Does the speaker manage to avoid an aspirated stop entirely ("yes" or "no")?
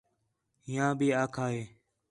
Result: no